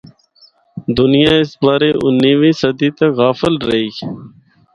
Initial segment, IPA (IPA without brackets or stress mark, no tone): d̪